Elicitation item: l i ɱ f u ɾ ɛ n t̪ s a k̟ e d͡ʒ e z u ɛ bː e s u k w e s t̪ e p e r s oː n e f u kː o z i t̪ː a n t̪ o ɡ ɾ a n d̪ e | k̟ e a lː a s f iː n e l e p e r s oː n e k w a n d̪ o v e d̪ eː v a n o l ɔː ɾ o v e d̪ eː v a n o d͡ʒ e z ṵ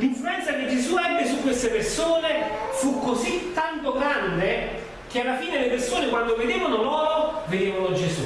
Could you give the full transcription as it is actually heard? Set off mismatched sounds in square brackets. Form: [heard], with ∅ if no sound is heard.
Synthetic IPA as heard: l i ɱ f u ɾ ɛ n t̪ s a k̟ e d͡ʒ e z u ɛ bː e s u k w e s t̪ e p e r s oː n e f u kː o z i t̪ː a n t̪ o ɡ ɾ a n d̪ e | k̟ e a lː a [∅] f iː n e l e p e r s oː n e k w a n d̪ o v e d̪ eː v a n o l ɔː ɾ o v e d̪ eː v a n o d͡ʒ e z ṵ